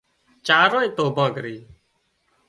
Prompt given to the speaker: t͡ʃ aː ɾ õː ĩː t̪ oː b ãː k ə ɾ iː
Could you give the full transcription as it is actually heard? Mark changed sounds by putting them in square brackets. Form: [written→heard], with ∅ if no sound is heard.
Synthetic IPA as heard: t͡ʃ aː ɾ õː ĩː t̪ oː b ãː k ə ɾ iː